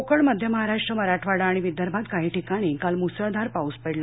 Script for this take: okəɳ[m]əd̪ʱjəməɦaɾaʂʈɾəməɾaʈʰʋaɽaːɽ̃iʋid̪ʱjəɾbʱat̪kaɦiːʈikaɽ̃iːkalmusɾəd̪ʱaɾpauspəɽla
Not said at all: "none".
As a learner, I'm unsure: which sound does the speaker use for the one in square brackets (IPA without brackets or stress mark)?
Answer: m